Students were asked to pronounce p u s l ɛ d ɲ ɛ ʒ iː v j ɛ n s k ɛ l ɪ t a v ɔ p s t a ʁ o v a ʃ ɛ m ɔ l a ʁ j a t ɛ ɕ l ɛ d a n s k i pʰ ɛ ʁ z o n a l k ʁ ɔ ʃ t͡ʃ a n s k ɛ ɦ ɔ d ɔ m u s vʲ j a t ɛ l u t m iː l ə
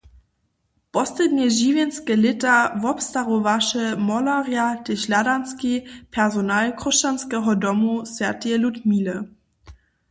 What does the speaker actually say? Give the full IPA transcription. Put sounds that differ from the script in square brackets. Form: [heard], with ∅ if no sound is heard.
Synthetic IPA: p [ɔ] s l ɛ d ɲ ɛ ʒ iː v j ɛ n s k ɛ l ɪ t a v ɔ p s t a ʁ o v a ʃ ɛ m ɔ l a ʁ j a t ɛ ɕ l [a] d a n s k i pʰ ɛ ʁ z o n a l k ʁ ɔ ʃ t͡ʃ a n s k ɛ ɦ ɔ d ɔ m u s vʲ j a t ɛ l u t m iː l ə

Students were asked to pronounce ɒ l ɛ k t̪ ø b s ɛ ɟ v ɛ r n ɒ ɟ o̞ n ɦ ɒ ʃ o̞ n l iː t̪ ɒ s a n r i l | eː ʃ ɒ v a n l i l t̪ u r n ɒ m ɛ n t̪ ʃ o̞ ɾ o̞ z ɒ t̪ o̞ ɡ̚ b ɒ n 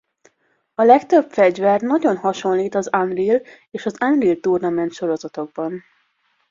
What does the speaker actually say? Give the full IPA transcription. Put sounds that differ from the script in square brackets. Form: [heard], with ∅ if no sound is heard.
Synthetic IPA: ɒ l ɛ k t̪ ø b [f] ɛ ɟ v ɛ r n ɒ ɟ o̞ n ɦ ɒ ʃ o̞ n l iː t̪ ɒ [z] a n r i l | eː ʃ ɒ [z] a n [r] i l t̪ u r n ɒ m ɛ n t̪ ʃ o̞ ɾ o̞ z ɒ t̪ o̞ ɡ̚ b ɒ n

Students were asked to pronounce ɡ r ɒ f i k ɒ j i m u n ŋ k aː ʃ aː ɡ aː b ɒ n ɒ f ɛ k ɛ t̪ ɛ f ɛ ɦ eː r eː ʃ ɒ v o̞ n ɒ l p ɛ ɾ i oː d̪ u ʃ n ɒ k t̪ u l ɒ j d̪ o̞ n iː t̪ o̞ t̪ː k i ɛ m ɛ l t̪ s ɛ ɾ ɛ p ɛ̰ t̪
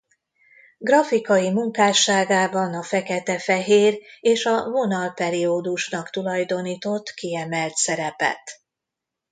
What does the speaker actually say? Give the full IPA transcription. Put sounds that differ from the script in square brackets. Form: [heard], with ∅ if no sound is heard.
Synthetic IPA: ɡ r ɒ f i k ɒ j i m u [∅] ŋ k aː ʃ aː ɡ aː b ɒ n ɒ f ɛ k ɛ t̪ ɛ f ɛ ɦ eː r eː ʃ ɒ v o̞ n ɒ l p ɛ ɾ i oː d̪ u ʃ n ɒ k t̪ u l ɒ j d̪ o̞ n iː t̪ o̞ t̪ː k i ɛ m ɛ l t̪ s ɛ ɾ ɛ p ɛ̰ t̪

